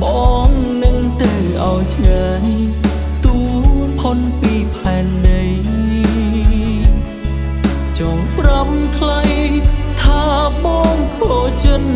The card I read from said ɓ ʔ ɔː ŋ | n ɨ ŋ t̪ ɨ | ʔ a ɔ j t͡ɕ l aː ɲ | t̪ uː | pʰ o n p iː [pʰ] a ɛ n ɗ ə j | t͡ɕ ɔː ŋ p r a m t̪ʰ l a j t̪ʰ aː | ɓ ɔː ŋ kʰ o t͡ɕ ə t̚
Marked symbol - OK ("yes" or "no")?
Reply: yes